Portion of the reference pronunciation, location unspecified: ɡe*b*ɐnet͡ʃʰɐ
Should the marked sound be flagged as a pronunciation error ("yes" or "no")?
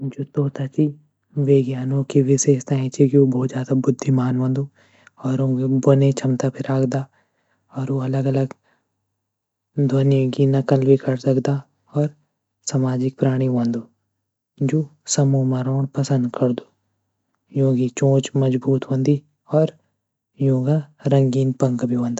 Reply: no